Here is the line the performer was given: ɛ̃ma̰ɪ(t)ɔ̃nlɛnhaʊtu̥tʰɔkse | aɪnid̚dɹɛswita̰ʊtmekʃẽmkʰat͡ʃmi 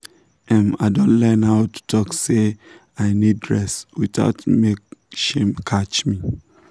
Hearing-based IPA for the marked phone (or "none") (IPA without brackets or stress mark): d